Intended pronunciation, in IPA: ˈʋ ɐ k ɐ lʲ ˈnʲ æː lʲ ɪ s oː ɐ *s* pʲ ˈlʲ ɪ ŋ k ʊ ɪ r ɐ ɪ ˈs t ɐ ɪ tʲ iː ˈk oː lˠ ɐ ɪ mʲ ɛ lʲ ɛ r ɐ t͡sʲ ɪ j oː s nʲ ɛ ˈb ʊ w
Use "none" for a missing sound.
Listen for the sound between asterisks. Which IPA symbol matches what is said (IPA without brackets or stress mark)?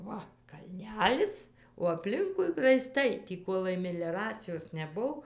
none